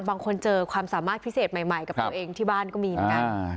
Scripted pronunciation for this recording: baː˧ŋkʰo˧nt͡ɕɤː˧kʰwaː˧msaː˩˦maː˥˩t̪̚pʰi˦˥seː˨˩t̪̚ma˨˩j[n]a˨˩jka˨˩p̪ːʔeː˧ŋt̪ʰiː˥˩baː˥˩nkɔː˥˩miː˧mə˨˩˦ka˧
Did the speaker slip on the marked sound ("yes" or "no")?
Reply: yes